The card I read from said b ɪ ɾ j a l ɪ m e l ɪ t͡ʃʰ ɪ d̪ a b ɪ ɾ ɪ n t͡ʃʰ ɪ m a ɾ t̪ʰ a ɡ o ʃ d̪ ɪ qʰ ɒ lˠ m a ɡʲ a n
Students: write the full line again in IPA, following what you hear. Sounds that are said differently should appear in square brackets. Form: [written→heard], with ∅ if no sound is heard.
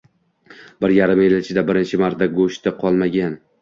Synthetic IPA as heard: b ɪ ɾ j a [l→ɾ] ɪ m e l ɪ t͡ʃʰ ɪ d̪ a b ɪ ɾ ɪ n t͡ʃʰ ɪ m a ɾ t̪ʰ a ɡ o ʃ [d̪→t̪] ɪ qʰ ɒ lˠ m a ɡʲ a n